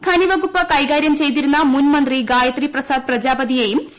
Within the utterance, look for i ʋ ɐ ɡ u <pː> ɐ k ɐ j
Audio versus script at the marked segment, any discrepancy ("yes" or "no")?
no